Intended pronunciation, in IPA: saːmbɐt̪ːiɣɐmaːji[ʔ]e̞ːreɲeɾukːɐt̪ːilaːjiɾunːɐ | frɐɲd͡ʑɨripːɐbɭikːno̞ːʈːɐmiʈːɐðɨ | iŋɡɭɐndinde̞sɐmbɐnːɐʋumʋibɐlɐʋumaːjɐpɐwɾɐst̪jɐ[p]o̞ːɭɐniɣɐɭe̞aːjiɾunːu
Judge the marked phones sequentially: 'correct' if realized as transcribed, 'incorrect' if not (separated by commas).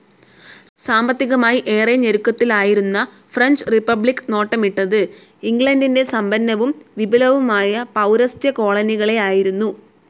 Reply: correct, incorrect